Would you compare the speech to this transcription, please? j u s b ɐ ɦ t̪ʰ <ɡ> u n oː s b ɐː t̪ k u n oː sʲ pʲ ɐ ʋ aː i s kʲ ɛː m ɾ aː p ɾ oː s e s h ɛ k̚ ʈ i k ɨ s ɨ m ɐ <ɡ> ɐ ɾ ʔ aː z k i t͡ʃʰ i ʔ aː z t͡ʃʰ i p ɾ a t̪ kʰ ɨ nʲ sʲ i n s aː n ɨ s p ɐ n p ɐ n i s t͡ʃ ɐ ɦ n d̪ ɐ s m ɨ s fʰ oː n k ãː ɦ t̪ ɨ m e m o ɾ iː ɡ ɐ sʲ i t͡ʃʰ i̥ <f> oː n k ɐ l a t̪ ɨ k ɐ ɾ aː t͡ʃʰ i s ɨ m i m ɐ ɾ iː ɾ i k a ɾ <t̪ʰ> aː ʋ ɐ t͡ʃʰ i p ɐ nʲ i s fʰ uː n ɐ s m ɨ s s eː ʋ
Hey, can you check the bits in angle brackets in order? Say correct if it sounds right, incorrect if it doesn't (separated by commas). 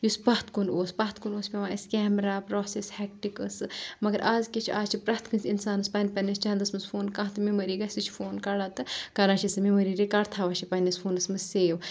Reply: incorrect, correct, correct, correct